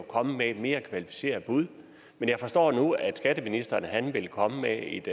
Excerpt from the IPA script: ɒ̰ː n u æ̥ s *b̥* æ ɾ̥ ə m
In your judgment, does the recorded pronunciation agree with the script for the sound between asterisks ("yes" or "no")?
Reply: no